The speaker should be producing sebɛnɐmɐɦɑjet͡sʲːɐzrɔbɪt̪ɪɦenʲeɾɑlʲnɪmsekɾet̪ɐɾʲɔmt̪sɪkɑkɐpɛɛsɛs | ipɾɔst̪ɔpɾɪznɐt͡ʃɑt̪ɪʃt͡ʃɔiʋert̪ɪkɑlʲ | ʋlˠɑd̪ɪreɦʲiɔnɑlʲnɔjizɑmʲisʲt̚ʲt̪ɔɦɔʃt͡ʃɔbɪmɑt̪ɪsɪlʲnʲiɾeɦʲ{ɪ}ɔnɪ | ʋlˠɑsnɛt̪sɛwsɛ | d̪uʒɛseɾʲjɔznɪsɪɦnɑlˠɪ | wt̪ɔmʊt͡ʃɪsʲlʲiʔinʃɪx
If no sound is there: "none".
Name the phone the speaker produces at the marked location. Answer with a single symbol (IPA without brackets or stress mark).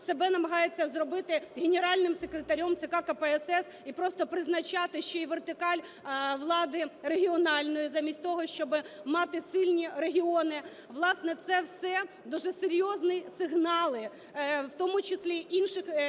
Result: i